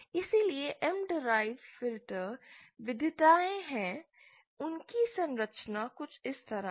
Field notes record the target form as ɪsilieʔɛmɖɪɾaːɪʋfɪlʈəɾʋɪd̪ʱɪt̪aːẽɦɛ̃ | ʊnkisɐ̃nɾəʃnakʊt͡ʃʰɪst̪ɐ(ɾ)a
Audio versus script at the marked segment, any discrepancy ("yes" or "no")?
no